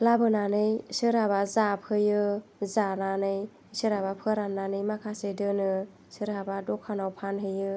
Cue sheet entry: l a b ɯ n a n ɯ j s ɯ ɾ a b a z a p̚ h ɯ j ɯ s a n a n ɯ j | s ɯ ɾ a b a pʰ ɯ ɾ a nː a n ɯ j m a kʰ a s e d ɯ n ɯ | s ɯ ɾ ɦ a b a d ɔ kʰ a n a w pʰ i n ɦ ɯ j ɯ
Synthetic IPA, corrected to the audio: l a b ɯ n a n ɯ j s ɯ ɾ a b a z a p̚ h ɯ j ɯ z a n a n ɯ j | s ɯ ɾ a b a pʰ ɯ ɾ a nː a n ɯ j m a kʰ a s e d ɯ n ɯ | s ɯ ɾ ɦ a b a d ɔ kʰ a n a w pʰ a n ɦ ɯ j ɯ

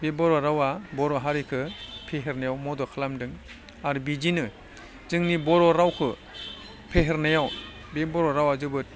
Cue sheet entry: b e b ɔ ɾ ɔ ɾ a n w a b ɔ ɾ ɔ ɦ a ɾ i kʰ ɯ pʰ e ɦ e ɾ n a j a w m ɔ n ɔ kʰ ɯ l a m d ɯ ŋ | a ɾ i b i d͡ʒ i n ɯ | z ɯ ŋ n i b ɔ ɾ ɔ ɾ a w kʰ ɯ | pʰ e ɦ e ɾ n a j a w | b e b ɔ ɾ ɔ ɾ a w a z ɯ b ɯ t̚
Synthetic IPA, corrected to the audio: b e b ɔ ɾ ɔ ɾ a w a b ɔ ɾ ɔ ɦ a ɾ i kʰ ɯ pʰ e ɦ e ɾ n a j a w m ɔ d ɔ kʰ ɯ l a m d ɯ ŋ | a ɾ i b i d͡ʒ i n ɯ | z ɯ ŋ n i b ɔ ɾ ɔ ɾ a w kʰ ɯ | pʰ e ɦ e ɾ n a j a w | b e b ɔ ɾ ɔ ɾ a w a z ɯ b ɯ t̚

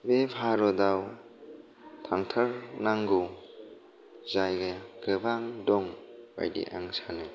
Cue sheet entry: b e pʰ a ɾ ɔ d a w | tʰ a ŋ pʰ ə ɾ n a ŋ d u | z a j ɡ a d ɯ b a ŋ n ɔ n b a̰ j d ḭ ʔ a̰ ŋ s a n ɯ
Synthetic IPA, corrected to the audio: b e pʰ a ɾ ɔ d a w | tʰ a ŋ tʰ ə ɾ n a ŋ ɡ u | z a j ɡ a ɡ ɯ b a ŋ d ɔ ŋ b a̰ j d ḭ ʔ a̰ ŋ s a n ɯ

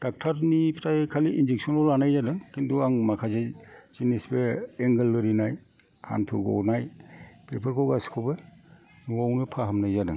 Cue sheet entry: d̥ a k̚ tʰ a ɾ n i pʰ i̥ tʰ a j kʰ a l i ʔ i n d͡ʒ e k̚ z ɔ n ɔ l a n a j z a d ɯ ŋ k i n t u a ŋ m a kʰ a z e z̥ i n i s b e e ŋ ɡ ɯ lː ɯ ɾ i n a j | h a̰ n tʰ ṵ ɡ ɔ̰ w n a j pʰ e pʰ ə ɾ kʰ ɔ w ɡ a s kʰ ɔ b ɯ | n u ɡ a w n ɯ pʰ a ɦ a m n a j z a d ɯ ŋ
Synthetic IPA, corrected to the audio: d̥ a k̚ tʰ a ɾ n i pʰ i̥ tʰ a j kʰ a l i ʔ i n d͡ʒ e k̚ s ɔ n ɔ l a n a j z a d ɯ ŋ k i n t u a ŋ m a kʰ a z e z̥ i n i s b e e ŋ ɡ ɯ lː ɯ ɾ i n a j | h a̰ n tʰ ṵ ɡ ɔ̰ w n a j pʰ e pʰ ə ɾ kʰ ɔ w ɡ a s kʰ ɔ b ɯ | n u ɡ a w n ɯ pʰ a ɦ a m n a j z a d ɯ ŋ

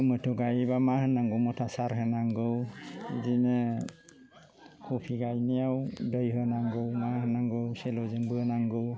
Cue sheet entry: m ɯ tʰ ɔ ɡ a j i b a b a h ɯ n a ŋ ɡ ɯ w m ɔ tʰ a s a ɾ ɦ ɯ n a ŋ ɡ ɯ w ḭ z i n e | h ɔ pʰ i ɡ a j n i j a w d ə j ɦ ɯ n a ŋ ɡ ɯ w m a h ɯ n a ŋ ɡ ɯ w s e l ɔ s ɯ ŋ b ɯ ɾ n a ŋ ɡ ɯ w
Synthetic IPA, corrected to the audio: m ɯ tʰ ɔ ɡ a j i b a m a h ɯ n a ŋ ɡ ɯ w m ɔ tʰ a s a ɾ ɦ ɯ n a ŋ ɡ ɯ w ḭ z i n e | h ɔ pʰ i ɡ a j n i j a w d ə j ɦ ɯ n a ŋ ɡ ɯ w m a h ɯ n a ŋ ɡ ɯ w s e l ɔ z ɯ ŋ b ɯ n a ŋ ɡ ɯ w

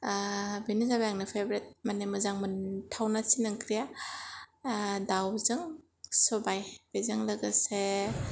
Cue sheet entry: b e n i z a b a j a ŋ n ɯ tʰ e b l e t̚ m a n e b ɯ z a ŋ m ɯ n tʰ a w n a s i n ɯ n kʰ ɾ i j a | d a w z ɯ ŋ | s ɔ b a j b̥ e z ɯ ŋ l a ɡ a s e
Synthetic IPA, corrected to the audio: b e n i z a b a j a ŋ n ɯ pʰ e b ɾ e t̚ m a n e m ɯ z a ŋ m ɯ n tʰ a w n a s i n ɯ ŋ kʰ ɾ i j a | d a w z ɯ ŋ | s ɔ b a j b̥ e z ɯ ŋ l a ɡ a s e

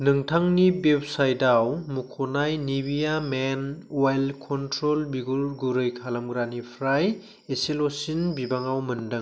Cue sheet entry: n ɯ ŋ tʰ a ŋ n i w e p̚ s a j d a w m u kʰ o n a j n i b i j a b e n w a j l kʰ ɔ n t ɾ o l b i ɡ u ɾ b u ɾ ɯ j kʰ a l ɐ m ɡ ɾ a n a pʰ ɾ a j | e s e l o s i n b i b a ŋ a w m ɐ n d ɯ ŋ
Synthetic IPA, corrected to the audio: n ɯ ŋ tʰ a ŋ n i b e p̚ s a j d a w m u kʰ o n a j n i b i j a m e n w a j l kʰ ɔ n t ɾ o l b i ɡ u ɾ ɡ u ɾ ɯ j kʰ a l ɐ m ɡ ɾ a n i pʰ ɾ a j | e s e l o s i n b i b a ŋ a w m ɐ n d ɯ ŋ

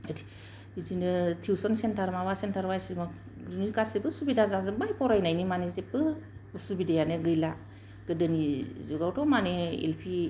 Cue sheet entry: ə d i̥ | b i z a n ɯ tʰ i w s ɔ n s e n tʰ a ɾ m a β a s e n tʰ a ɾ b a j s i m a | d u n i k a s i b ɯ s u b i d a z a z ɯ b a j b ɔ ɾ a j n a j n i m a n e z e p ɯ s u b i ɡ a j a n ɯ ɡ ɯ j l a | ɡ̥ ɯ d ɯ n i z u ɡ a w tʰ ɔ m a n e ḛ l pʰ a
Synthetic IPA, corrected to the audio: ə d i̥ | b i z i n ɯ tʰ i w s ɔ n s e n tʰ a ɾ m a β a s e n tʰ a ɾ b a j s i m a | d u n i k a s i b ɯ s u b i d a z a z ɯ b a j p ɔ ɾ a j n a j n i m a n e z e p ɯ s u b i d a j a n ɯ ɡ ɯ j l a | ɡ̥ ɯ d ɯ n i z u ɡ a w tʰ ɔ m a n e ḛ l pʰ i

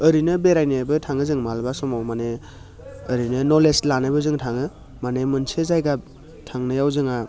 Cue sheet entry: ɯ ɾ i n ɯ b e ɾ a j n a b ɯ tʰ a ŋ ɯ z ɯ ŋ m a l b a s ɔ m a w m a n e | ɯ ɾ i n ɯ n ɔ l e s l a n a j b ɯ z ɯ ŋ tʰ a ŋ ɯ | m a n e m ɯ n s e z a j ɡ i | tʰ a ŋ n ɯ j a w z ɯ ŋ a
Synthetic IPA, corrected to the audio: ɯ ɾ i n ɯ b e ɾ a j n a b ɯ tʰ a ŋ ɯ z ɯ ŋ m a l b a s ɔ m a w m a n e | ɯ ɾ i n ɯ n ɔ l e s l a n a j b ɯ z ɯ ŋ tʰ a ŋ ɯ | m a n e m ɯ n s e z a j ɡ a | tʰ a ŋ n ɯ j a w z ɯ ŋ a

